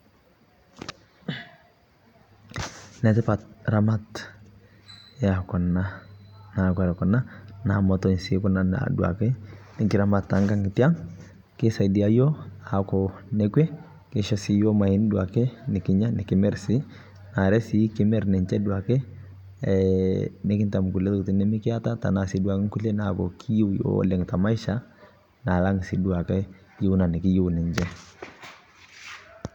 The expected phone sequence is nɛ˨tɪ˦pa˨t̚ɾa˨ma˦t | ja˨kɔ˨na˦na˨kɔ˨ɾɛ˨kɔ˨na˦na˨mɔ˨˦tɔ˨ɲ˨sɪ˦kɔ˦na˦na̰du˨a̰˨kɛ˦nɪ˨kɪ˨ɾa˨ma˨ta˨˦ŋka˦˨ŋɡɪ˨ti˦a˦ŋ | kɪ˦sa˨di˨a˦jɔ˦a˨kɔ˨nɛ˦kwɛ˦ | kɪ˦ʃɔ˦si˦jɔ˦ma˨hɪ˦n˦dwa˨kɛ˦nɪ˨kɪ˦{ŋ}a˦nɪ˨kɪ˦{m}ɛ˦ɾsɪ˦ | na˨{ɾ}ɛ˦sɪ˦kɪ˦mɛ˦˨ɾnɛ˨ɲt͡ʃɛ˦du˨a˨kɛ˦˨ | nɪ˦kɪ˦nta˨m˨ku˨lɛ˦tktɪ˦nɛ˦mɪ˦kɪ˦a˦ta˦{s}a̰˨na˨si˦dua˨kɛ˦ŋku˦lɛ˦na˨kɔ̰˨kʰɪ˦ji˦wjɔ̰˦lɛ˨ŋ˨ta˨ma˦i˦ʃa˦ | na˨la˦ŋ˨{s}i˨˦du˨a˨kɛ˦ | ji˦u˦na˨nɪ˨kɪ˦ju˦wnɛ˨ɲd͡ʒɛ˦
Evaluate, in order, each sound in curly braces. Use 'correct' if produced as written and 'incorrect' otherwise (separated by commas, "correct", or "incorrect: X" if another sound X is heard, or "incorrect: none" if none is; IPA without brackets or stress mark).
incorrect: ɲ, correct, correct, incorrect: t, correct